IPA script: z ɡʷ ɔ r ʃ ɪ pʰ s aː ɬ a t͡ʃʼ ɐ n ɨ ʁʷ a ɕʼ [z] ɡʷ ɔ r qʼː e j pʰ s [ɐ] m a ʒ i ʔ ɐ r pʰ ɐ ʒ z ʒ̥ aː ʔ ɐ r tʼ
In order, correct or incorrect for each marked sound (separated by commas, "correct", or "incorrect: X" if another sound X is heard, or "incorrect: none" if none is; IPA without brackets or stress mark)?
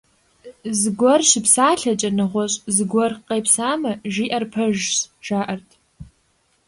correct, incorrect: a